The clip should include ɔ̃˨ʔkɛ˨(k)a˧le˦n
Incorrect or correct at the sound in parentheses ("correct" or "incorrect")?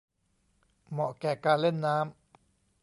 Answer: correct